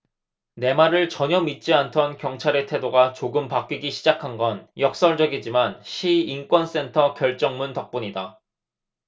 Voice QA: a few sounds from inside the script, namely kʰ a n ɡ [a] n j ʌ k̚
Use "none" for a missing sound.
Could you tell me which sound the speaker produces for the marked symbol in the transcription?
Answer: ʌ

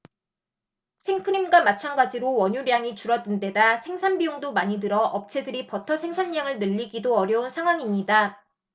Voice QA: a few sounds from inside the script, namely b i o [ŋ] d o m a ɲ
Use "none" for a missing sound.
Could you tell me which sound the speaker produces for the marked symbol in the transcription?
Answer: ŋ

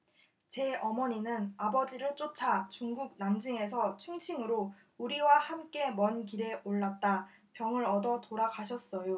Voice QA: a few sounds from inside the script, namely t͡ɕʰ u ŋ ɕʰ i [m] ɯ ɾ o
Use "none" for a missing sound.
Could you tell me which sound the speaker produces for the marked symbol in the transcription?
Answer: ŋ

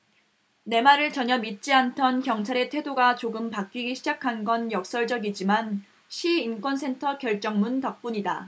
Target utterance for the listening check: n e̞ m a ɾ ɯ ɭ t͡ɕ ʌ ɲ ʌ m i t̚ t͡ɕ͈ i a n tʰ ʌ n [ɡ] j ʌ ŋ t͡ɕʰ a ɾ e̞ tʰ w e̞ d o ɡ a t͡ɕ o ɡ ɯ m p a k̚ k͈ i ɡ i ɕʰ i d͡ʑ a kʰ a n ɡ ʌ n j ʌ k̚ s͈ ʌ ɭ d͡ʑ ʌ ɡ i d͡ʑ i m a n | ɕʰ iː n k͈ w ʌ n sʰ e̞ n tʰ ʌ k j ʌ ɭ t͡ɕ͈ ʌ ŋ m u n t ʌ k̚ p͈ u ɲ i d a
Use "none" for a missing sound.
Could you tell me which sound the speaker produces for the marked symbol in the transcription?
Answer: k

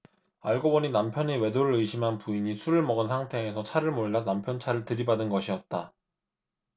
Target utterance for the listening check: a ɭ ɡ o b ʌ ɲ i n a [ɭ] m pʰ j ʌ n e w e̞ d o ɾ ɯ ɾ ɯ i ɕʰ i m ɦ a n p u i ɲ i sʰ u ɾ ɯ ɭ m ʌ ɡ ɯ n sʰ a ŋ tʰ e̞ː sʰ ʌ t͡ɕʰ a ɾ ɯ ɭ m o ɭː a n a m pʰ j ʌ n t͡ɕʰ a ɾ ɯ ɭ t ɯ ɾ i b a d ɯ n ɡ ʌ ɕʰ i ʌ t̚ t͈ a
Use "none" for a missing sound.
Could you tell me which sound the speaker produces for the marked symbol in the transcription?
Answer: none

